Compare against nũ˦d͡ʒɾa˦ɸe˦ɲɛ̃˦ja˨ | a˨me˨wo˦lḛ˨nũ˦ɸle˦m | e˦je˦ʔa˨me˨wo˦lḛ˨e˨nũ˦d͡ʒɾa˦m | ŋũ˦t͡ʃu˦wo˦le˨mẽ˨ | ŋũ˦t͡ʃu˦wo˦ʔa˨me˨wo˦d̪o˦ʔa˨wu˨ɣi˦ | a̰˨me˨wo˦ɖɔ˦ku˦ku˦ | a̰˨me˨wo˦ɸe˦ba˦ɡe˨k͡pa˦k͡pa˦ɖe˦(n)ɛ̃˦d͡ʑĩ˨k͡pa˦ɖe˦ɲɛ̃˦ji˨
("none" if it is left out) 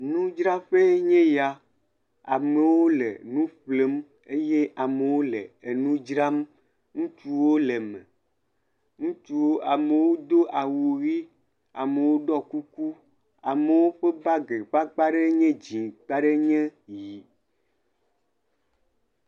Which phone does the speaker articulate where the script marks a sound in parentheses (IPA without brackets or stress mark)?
ɲ